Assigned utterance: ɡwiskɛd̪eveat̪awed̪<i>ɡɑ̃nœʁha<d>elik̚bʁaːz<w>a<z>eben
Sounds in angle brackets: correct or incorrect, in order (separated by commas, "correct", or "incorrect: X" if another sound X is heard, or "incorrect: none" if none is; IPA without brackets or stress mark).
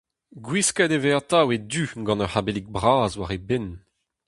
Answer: incorrect: y, incorrect: b, correct, incorrect: ʁ